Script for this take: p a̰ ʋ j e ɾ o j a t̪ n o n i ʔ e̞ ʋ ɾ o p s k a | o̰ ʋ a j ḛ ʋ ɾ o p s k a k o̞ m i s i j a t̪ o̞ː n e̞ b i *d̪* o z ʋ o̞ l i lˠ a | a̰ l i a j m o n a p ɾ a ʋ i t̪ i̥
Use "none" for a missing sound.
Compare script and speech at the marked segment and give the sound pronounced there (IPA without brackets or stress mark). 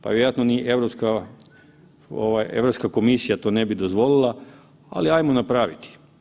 d̪